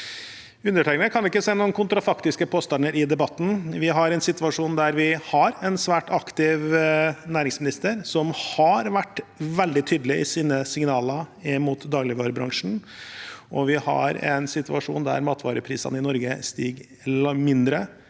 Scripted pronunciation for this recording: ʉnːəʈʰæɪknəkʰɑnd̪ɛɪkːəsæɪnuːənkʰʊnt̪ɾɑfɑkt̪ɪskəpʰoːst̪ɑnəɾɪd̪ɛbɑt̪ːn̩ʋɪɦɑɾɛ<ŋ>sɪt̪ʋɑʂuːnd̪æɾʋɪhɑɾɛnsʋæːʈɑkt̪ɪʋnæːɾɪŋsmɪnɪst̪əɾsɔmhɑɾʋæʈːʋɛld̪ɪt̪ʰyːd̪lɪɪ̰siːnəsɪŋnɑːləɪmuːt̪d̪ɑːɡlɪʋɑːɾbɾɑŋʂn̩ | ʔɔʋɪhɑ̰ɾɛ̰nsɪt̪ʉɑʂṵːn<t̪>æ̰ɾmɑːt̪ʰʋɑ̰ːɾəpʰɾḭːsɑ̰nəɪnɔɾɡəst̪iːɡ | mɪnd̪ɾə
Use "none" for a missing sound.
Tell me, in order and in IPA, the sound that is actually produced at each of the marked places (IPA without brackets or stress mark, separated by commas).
n, d̪